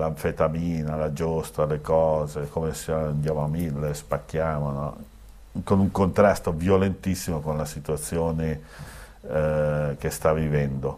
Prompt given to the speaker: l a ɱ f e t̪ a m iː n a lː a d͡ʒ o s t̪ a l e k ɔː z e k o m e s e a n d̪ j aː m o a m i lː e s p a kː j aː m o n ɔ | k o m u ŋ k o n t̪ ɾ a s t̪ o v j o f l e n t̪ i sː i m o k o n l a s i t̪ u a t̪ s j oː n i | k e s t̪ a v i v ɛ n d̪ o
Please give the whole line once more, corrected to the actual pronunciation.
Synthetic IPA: l a ɱ f e t̪ a m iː n a l a d͡ʒ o s t̪ a l e k ɔː z e k o m e s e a n d̪ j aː m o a m i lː e s p a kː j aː m o n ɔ | k o n u ŋ k o n t̪ ɾ a s t̪ o v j o l e n t̪ i sː i m o k o n l a s i t̪ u a t̪ sː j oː n e | k e s t̪ a v i v ɛ n d̪ o